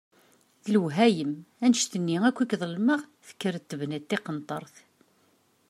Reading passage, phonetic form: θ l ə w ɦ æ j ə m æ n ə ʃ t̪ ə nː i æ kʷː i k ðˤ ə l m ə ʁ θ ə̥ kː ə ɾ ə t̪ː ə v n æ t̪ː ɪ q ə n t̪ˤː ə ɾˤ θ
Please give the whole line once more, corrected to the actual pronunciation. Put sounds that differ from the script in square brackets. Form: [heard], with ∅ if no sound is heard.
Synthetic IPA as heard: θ l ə w ɦ æ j ə m æ n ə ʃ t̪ ə nː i æ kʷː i k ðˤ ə l m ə ʁ θ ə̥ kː ə ɾ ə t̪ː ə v n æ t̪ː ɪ q ə n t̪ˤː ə ɾˤ θ